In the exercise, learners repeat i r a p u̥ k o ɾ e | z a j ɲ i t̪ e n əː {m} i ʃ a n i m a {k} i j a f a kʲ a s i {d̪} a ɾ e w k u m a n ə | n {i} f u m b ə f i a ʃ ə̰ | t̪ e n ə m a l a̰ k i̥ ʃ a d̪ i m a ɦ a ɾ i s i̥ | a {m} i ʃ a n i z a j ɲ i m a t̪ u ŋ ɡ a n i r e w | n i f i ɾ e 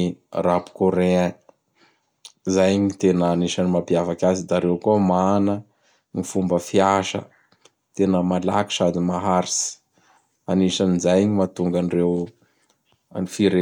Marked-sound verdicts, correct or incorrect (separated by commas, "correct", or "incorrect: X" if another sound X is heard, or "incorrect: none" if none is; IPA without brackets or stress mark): incorrect: n, incorrect: p, correct, correct, incorrect: n